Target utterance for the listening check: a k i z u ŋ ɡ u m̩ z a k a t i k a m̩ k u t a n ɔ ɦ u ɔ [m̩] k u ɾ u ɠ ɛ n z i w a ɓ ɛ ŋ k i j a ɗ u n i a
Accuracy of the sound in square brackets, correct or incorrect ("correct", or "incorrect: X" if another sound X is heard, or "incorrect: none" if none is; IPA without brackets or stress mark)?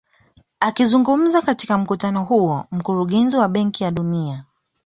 correct